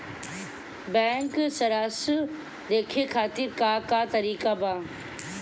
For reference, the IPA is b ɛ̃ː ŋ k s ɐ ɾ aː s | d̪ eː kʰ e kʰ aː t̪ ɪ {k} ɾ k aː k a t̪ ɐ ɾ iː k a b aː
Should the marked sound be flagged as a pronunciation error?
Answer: yes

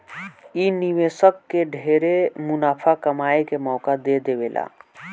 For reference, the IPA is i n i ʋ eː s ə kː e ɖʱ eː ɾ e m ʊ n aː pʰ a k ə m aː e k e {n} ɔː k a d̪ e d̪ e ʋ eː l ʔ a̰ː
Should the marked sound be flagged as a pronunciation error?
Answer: yes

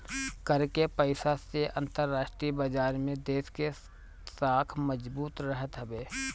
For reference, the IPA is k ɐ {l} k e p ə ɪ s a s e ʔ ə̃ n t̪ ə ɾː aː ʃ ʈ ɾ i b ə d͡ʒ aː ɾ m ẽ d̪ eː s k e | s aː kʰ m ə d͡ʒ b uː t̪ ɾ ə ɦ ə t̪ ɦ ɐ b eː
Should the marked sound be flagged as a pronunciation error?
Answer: yes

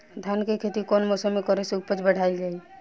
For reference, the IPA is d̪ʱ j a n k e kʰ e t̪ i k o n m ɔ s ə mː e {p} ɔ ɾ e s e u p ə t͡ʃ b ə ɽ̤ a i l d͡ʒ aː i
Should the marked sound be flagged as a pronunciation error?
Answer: yes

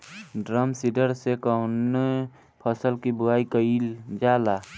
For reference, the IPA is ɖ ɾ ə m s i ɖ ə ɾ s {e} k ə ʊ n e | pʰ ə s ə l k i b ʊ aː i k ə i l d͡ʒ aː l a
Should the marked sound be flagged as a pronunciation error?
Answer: no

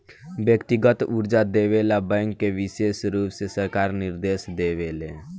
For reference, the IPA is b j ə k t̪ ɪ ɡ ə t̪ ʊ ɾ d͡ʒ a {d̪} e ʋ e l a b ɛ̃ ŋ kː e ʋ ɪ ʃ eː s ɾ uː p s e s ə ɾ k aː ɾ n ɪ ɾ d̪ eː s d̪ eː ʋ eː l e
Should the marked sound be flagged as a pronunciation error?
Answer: no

